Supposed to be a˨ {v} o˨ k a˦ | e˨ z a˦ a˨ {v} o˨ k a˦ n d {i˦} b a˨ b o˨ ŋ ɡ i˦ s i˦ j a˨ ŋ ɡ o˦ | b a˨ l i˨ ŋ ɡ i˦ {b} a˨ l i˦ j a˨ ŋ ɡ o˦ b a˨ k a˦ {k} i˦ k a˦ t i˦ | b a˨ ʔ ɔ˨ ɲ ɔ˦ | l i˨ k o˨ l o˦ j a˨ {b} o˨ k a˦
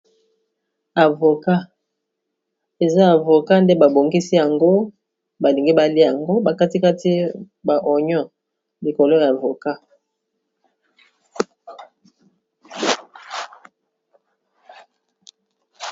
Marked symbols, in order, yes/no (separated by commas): yes, yes, no, yes, no, no